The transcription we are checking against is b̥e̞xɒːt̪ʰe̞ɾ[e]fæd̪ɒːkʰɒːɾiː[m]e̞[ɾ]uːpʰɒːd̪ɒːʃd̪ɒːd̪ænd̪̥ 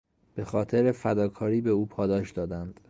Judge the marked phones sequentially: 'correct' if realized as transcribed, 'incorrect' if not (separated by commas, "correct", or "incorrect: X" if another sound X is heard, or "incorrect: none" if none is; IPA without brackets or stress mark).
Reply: correct, incorrect: b, incorrect: none